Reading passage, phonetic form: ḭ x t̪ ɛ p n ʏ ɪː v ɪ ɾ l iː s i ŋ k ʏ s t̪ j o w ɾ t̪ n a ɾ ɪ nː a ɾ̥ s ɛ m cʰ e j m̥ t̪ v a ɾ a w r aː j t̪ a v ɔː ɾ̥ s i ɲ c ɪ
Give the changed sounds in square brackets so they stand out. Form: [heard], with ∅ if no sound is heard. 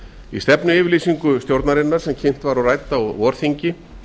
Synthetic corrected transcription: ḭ [s] t̪ ɛ p n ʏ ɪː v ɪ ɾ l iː s i ŋ k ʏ s t̪ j o w ɾ t̪ n a ɾ ɪ nː a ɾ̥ s ɛ m cʰ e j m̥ t̪ v a ɾ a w r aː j t̪ a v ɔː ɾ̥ [θ] i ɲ c ɪ